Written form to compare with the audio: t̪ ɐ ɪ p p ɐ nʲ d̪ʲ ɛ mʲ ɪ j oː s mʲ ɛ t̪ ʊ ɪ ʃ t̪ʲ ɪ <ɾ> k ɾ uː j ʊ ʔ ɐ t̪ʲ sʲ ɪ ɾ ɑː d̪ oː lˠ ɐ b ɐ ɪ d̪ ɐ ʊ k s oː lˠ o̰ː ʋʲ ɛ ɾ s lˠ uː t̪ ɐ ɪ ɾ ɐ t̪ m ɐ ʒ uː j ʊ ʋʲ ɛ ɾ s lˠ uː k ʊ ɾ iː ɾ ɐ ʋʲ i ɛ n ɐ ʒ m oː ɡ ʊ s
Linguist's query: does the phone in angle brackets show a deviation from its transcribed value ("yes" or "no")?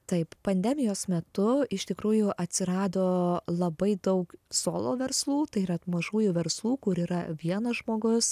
yes